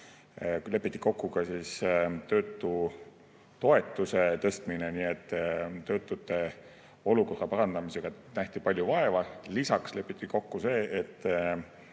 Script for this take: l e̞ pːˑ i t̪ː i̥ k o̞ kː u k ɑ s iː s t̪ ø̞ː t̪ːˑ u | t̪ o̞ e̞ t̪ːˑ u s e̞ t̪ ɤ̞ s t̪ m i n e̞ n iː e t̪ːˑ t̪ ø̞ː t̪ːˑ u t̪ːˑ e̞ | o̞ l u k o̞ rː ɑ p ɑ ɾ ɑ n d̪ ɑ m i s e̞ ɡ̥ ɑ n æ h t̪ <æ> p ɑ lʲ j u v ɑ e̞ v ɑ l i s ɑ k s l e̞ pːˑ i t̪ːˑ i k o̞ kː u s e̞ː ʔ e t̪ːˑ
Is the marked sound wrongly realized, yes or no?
yes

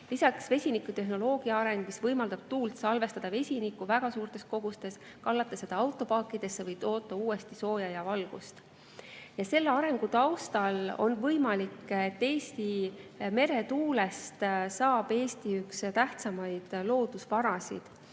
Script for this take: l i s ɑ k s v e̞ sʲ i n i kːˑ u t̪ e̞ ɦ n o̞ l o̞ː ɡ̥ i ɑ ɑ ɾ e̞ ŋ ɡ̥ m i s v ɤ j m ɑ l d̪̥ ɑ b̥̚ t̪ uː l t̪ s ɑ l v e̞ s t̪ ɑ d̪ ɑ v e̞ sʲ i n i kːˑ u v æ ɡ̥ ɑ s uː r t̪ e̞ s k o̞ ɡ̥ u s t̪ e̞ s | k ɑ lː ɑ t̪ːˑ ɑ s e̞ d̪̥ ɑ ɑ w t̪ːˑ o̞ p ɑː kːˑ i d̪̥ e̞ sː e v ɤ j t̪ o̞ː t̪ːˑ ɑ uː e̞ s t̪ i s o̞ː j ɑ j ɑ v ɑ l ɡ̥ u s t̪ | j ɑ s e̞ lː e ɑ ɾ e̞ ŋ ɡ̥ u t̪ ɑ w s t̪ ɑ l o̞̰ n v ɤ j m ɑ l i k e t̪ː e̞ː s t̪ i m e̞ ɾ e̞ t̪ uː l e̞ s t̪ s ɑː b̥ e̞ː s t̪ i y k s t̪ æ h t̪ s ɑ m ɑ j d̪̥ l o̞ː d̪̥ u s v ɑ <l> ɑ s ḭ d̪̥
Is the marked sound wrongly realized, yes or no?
yes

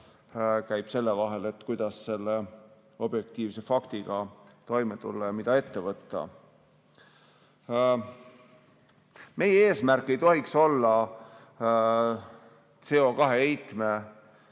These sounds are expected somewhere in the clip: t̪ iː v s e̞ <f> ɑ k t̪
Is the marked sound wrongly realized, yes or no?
no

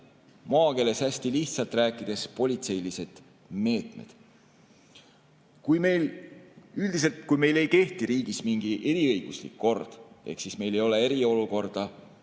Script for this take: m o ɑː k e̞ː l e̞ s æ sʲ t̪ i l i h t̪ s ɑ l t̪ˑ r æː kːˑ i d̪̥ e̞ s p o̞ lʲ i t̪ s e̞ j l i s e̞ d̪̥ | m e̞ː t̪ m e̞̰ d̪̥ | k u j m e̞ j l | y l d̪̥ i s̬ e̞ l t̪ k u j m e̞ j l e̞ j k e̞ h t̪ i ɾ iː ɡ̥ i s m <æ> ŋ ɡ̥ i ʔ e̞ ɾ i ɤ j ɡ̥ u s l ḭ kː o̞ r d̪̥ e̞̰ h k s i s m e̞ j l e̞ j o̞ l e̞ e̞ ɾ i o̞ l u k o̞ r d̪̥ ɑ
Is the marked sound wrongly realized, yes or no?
yes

